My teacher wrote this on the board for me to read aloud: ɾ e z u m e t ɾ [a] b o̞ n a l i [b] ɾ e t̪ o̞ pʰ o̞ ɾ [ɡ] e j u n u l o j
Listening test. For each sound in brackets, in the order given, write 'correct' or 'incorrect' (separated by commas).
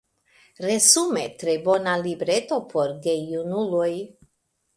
incorrect, correct, correct